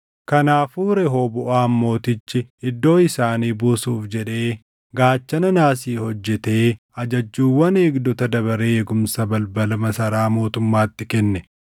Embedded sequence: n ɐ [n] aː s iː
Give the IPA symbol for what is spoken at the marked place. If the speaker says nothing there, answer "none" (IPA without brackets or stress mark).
n